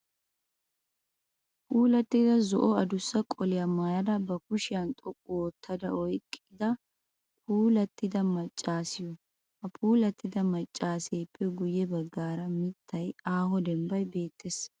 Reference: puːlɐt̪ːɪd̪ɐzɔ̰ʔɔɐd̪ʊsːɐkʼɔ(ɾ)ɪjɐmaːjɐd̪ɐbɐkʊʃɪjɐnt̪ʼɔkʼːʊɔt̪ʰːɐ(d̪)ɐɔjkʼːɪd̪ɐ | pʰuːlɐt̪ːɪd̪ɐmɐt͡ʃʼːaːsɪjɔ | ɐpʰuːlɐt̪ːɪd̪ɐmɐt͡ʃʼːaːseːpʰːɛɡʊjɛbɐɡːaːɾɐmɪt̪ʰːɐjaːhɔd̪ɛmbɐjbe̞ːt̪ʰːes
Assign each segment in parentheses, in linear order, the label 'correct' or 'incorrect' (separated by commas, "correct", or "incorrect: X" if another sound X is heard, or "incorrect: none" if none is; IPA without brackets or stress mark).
incorrect: l, correct